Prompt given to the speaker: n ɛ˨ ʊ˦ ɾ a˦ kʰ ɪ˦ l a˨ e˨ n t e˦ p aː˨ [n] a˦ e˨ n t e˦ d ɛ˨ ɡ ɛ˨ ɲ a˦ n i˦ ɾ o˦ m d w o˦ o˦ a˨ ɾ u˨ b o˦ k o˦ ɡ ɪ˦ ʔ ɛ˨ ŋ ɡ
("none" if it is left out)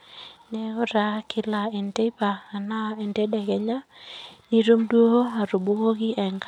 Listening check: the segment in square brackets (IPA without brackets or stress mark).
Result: n